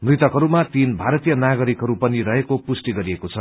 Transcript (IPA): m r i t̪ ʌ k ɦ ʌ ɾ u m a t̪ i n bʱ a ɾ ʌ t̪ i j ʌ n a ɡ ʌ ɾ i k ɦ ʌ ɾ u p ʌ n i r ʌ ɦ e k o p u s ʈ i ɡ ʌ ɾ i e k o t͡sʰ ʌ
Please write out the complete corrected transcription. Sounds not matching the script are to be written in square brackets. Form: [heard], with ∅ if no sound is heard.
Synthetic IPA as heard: m r i t̪ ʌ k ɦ ʌ ɾ u m a t̪ i n bʱ a ɾ ʌ t̪ i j ʌ n a ɡ ʌ ɾ i k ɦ ʌ ɾ u p ʌ n i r ʌ ɦ e k o p u s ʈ i ɡ ʌ ɾ i e k o t͡sʰ ʌ